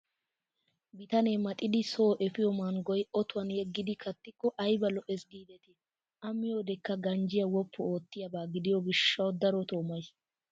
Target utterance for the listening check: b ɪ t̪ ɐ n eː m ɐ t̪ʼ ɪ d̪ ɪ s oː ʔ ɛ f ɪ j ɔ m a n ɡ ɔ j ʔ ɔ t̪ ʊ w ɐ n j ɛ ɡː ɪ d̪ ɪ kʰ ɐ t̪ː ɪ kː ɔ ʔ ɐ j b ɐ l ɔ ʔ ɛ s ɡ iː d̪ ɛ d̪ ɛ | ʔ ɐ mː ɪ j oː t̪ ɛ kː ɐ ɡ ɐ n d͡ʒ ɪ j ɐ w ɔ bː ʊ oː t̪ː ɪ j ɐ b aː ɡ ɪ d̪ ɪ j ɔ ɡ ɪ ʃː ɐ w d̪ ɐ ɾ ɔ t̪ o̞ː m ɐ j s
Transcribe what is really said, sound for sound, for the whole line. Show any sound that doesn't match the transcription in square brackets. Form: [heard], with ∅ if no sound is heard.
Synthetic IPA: b ɪ t̪ ɐ n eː m ɐ t̪ʼ ɪ d̪ ɪ s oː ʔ ɛ f ɪ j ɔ m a n ɡ ɔ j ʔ ɔ t̪ ʊ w ɐ n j ɛ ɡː ɪ d̪ ɪ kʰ ɐ t̪ː ɪ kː ɔ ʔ ɐ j b ɐ l ɔ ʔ ɛ s ɡ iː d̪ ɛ [t̪] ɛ | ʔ ɐ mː ɪ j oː [d̪] ɛ kː ɐ ɡ ɐ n d͡ʒ ɪ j ɐ w ɔ [pː] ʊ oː t̪ː ɪ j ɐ b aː ɡ ɪ d̪ ɪ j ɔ ɡ ɪ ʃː ɐ w d̪ ɐ ɾ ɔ t̪ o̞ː m ɐ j s